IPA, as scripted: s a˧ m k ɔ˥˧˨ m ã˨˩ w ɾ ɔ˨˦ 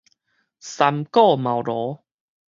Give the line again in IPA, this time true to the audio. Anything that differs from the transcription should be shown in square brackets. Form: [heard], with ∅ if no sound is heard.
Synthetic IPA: s a˧ m k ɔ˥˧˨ m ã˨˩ w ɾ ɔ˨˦